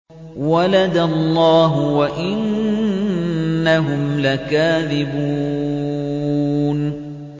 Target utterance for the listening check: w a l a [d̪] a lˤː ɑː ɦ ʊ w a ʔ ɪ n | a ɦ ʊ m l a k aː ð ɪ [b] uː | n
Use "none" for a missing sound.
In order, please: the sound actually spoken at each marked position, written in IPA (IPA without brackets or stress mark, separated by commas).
d̪, b